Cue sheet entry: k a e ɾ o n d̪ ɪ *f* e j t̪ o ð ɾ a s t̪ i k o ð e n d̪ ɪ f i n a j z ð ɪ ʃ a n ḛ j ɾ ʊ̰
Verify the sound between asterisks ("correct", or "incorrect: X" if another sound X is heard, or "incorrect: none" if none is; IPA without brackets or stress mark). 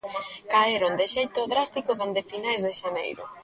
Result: incorrect: ʃ